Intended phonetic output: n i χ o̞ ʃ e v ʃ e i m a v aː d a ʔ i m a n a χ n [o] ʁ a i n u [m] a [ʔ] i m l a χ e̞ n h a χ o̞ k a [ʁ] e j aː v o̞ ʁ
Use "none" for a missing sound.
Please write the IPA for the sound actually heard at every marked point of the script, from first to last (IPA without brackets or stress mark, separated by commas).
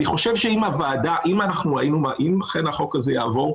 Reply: u, m, ʔ, z